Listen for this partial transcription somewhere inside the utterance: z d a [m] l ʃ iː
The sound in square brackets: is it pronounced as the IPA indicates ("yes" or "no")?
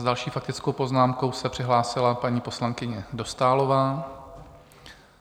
no